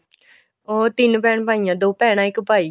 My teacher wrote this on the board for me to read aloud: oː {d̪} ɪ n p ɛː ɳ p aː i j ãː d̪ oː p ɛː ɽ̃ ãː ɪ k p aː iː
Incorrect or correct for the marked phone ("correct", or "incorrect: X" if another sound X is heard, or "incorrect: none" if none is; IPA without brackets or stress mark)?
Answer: incorrect: t̪